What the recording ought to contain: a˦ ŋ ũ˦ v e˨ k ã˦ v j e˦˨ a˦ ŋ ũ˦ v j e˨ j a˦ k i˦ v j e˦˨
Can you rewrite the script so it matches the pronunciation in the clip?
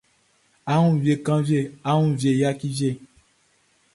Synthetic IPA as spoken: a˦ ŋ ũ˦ v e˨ k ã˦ v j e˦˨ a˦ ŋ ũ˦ v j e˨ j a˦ k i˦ v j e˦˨